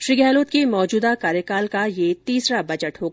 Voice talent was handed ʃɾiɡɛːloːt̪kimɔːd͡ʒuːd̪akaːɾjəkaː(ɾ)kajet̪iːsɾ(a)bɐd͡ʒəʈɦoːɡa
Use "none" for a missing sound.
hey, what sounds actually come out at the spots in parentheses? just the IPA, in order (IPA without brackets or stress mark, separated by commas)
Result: l, a